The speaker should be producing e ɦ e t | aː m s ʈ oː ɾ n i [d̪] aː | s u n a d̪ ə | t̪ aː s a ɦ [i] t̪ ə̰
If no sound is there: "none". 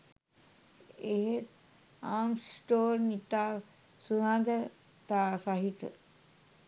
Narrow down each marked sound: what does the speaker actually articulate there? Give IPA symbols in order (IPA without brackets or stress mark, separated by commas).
t̪, i